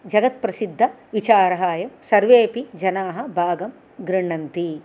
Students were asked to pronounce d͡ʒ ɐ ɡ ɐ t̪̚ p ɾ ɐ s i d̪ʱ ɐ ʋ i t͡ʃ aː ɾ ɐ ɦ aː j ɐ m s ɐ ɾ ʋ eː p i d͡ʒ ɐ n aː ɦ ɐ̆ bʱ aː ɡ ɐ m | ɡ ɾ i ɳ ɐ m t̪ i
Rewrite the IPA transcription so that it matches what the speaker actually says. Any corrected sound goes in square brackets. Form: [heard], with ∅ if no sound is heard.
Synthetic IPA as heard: d͡ʒ ɐ ɡ ɐ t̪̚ p ɾ ɐ s i [d̪ʱː] ɐ ʋ i t͡ʃ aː ɾ ɐ ɦ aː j ɐ m s ɐ ɾ ʋ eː p i d͡ʒ ɐ n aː ɦ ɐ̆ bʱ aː ɡ ɐ m | ɡ ɾ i ɳ ɐ [n] t̪ i